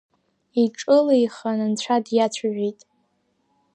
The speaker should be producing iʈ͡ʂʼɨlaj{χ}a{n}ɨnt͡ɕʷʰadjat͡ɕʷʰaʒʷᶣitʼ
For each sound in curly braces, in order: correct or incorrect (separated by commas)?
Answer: correct, correct